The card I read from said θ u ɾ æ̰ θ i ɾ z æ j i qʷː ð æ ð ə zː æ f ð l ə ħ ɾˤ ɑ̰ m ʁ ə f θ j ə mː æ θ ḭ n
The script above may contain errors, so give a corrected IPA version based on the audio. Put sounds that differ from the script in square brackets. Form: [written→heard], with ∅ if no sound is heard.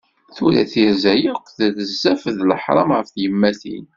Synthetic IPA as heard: θ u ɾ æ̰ θ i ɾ z æ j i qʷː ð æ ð ə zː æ f ð l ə ħ ɾˤ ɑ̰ m ʁ ə f θ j ə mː æ θ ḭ n